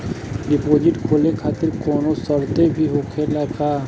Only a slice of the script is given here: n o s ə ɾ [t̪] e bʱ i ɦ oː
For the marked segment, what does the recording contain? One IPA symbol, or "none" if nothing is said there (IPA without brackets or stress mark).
t̪